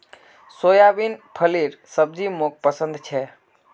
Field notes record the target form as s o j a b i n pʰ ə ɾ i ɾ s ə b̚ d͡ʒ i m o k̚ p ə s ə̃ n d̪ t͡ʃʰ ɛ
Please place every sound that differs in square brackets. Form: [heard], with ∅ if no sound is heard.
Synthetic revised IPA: s o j a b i n pʰ ə [l] i ɾ s ə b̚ d͡ʒ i m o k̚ p ə s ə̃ n d̪ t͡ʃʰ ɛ